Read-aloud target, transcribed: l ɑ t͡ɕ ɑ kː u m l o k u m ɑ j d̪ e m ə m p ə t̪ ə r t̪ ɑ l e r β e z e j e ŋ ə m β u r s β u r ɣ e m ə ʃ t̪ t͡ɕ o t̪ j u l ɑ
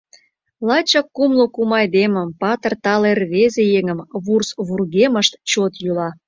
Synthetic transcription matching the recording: l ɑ t͡ɕ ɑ kː u m l o k u m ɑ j d̪ e m ə m p ɑ t̪ ə r t̪ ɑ l e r β e z e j e ŋ ə m β u r s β u r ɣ e m ə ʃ t̪ t͡ɕ o t̪ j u l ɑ

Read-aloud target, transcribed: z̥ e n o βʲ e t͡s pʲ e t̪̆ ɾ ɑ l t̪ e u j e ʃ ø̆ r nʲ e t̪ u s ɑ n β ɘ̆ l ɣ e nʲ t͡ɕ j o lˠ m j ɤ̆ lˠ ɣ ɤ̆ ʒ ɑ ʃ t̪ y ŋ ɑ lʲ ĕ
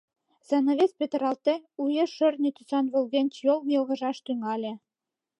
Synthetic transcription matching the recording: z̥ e n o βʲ e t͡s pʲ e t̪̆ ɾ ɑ l t̪ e u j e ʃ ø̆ r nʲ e t̪ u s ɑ n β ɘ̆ l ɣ e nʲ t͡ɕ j o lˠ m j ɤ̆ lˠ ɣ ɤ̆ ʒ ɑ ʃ t̪ y ŋ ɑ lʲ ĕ

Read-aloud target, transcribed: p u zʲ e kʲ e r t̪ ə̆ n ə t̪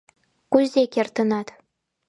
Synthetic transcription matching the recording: k u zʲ e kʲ e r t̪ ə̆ n ɑ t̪

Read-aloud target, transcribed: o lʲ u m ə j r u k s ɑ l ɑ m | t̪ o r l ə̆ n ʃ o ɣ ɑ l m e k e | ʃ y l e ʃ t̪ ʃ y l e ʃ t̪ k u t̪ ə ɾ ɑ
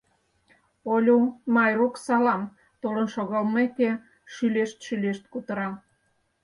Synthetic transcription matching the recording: o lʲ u m ɑ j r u k s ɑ l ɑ m | t̪ o l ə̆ n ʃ o ɣ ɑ l m e k e | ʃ y l e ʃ t̪ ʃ y l e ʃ t̪ k u t̪ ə ɾ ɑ

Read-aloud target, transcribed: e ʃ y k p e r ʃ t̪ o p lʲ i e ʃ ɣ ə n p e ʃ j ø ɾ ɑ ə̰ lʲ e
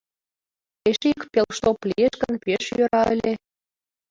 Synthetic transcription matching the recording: e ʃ i k p e l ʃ t̪ o p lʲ i e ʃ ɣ ə n p e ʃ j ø ɾ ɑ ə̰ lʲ e

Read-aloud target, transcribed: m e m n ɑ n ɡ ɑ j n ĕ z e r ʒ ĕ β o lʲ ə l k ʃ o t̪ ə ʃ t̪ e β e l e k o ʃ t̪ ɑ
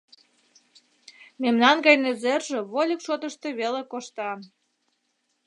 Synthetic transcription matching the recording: m e m n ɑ n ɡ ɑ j n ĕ z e r ʒ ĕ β o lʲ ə k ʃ o t̪ ə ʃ t̪ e β e l e k o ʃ t̪ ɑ

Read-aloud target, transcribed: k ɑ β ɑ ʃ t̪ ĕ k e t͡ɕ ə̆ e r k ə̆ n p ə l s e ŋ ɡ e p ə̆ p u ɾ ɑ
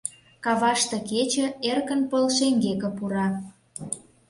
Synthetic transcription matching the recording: k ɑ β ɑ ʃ t̪ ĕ k e t͡ɕ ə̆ e r k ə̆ n p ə l ʃ e ŋ ɡ e k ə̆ p u ɾ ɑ

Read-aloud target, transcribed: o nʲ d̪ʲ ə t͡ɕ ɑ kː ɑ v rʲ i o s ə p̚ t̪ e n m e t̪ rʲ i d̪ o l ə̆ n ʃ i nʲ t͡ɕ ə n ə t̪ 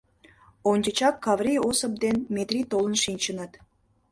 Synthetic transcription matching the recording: o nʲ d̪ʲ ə t͡ɕ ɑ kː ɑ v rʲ i o s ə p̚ d̪ e n m e t̪ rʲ i t̪ o l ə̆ n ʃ i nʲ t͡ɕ ə n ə t̪

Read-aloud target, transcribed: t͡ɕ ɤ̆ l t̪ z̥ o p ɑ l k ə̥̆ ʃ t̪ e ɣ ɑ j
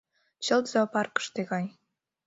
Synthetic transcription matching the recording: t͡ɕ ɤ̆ l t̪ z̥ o p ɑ r k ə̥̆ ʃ t̪ e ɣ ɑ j

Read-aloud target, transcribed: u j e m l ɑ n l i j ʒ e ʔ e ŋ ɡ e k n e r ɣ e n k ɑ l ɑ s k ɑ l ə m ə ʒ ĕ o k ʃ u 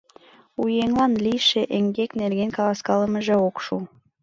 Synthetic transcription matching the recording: u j e ŋ l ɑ n l i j ʃ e ʔ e ŋ ɡ e k n e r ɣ e n k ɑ l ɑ s k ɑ l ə m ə ʒ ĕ o k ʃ u

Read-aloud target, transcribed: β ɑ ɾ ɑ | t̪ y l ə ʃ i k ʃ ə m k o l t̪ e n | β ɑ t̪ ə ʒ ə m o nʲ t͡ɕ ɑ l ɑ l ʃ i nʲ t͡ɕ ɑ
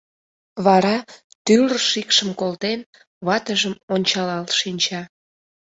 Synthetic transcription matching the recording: β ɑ ɾ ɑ | t̪ y l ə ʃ i k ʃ ə m k o l t̪ e n | β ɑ t̪ ə ʒ ə m o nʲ t͡ɕ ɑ l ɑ l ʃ i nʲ t͡ɕ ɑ

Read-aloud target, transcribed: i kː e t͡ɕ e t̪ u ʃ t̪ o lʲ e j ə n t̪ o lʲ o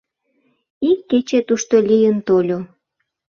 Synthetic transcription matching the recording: i kː e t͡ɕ e t̪ u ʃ t̪ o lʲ i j ə n t̪ o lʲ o

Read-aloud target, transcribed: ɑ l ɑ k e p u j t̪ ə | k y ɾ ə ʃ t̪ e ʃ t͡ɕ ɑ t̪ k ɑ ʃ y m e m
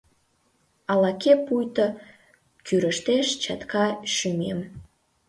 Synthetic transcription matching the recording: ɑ l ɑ k e p u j t̪ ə | k y ɾ ə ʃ t̪ e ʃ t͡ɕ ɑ t̪ k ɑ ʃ y m e m

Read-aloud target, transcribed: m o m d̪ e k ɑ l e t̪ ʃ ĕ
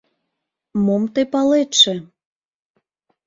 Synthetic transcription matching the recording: m o m t̪ e p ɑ l e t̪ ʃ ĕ

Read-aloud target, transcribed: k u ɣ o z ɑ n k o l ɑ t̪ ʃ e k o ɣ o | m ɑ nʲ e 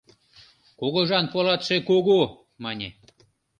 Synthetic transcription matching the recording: k o ɣ o ʒ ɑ n p o l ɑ t̪ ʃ e k o ɣ o | m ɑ nʲ e

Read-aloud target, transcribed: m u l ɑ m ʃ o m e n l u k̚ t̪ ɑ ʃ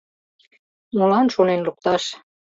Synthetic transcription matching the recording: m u l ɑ n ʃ o n e n l u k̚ t̪ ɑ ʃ

